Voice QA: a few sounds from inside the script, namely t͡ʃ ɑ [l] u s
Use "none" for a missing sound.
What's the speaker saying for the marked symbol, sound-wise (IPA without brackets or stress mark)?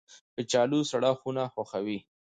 l